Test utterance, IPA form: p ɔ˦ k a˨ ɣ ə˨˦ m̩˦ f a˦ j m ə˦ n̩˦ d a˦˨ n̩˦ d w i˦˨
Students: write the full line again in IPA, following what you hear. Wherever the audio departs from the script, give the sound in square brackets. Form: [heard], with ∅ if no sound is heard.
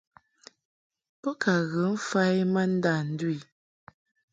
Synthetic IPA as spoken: p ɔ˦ k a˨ ɣ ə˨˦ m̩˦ f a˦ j m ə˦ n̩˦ d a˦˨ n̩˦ d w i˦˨